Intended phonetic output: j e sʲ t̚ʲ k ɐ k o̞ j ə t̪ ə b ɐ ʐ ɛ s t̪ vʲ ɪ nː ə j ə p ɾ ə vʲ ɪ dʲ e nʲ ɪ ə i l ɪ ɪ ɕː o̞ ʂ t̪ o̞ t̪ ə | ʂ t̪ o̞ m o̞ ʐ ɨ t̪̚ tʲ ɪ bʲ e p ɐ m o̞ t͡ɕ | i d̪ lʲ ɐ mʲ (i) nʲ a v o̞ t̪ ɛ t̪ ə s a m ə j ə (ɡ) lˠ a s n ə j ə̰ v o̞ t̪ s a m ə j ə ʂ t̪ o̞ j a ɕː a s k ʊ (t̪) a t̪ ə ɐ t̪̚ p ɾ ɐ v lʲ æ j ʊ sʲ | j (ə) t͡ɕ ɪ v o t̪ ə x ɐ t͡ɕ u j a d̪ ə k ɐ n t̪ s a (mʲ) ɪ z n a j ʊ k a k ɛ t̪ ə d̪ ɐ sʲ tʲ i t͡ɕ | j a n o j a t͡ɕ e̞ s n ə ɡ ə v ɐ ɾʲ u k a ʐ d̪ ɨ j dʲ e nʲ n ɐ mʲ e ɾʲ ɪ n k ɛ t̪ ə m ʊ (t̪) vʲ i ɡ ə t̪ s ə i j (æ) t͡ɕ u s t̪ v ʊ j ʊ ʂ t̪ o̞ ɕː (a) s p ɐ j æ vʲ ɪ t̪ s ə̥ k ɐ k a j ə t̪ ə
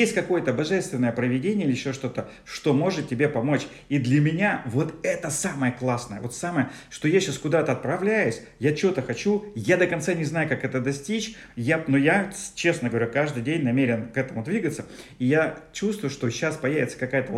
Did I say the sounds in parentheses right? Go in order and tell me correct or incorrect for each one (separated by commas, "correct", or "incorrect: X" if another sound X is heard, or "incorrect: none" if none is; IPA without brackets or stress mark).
incorrect: ɪ, incorrect: k, incorrect: d̪, incorrect: a, incorrect: nʲ, incorrect: d̪, incorrect: a, correct